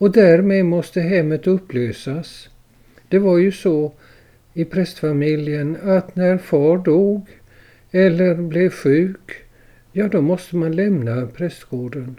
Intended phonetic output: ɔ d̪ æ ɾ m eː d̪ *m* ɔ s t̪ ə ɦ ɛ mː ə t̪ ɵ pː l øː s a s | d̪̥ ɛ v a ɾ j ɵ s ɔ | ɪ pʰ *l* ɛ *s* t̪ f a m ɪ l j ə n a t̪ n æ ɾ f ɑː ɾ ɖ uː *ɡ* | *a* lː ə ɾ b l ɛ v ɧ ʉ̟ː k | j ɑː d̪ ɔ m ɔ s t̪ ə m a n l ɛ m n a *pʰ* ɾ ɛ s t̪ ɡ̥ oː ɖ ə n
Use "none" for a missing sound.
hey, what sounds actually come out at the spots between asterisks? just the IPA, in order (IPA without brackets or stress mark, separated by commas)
m, ɾ, s, ɡ, ɛ, pʰ